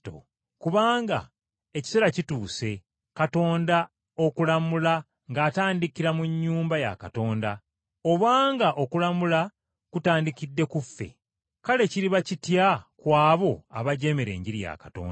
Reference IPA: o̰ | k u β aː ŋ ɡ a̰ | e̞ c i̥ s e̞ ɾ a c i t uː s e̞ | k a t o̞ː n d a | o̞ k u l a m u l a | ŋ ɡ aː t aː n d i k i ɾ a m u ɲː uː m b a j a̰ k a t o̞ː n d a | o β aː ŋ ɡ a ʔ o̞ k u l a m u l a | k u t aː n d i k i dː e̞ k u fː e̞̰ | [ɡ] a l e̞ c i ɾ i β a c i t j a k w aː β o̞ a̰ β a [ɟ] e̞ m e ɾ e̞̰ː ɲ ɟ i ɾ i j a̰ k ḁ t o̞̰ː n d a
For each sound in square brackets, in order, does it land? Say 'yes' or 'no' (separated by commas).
no, yes